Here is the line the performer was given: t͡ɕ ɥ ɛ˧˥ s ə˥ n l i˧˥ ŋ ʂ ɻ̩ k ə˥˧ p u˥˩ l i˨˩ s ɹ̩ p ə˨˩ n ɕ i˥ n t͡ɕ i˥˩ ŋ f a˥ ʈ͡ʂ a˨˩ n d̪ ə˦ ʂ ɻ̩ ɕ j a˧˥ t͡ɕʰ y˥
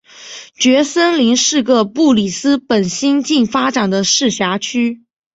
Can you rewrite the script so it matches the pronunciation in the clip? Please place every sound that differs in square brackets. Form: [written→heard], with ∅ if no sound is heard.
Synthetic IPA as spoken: t͡ɕ ɥ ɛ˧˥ s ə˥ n l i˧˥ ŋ ʂ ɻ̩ k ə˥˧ p u˥˩ l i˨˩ s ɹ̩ p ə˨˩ n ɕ i˥ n t͡ɕ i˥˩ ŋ f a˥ ʈ͡ʂ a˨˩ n d̪ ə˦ ʂ ɻ̩ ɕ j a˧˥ t͡ɕʰ y˥